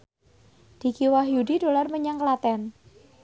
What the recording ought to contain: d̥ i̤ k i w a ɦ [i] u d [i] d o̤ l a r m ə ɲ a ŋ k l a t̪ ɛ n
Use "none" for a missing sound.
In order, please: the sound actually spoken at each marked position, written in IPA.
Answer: j, i

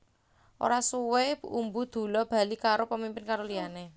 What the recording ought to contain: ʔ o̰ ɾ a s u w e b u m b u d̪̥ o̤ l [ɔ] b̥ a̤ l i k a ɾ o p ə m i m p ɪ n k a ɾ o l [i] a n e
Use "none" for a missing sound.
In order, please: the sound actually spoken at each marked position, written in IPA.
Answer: ɔ, i

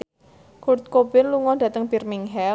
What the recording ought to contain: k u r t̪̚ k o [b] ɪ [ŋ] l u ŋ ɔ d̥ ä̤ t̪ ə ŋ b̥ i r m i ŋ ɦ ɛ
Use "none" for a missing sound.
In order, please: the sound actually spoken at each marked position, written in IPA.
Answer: b, n

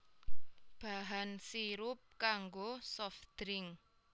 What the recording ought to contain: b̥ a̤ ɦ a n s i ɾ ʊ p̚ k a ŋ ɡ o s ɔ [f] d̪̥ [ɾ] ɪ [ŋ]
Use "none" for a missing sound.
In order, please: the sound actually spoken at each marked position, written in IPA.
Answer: f, ɾ, ŋ

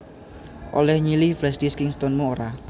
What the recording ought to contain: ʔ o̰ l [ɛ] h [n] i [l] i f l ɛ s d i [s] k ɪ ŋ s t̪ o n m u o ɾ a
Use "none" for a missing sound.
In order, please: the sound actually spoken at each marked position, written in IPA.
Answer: ɛ, ɲ, l, s

